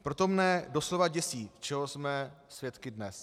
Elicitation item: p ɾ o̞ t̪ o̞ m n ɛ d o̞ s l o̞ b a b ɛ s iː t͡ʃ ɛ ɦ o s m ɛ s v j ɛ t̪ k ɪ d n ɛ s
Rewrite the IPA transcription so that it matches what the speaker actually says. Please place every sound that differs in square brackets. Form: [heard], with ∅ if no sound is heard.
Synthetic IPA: p ɾ o̞ t̪ o̞ m n ɛ d o̞ s l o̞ [v] a [ɟ] ɛ s iː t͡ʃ ɛ ɦ o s m ɛ s v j ɛ t̪ k ɪ d n ɛ s